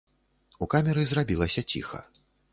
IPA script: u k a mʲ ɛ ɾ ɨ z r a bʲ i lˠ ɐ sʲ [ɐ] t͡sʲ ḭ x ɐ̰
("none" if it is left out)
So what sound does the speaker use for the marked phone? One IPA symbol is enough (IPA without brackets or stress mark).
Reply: ɐ